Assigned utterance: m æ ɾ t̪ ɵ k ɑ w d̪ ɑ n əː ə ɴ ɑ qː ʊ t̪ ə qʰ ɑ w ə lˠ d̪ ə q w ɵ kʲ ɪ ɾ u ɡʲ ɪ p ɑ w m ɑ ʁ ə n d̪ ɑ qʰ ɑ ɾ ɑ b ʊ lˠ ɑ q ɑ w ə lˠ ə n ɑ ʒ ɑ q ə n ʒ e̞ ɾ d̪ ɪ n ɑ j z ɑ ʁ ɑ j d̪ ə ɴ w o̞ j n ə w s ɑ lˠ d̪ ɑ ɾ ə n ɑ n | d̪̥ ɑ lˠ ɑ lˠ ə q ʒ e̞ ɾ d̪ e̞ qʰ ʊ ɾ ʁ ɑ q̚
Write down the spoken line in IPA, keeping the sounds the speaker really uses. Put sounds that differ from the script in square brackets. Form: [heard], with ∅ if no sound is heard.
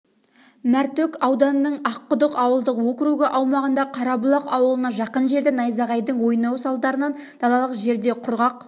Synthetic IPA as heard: m æ ɾ t̪ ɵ k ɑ w d̪ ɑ n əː ə ɴ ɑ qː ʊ [d̪] ə [q] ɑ w ə lˠ d̪ ə q w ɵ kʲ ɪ ɾ u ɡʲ ɪ [ʔ] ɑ w m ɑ ʁ ə n d̪ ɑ qʰ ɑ ɾ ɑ b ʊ lˠ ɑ q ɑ w ə lˠ ə n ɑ ʒ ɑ q ə n ʒ e̞ ɾ d̪ ɪ n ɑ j z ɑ ʁ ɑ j d̪ ə ɴ w o̞ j n [ɑ] w s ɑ lˠ d̪ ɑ ɾ ə n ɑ n | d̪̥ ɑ lˠ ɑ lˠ ə q ʒ e̞ ɾ d̪ e̞ qʰ ʊ ɾ ʁ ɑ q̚